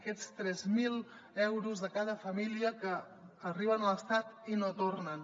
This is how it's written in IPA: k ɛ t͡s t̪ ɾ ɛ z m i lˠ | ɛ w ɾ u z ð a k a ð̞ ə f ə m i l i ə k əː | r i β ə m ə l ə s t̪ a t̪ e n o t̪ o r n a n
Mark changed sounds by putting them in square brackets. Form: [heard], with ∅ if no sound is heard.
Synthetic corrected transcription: k ɛ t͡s t̪ ɾ ɛ z m i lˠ | ɛ w ɾ u z ð [ə] k a ð̞ ə f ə m i l i ə k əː | r i β ə [n] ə l ə s t̪ a t̪ [i] n o t̪ o r n [ə] n